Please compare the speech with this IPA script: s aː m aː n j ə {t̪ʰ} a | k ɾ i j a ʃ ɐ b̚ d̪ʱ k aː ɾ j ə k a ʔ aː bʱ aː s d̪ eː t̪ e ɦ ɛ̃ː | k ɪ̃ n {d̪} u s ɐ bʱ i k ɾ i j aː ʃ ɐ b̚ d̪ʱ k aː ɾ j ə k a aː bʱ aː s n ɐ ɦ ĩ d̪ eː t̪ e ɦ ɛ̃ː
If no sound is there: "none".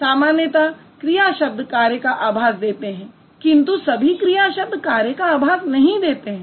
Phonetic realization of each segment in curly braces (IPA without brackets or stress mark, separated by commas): t̪, t̪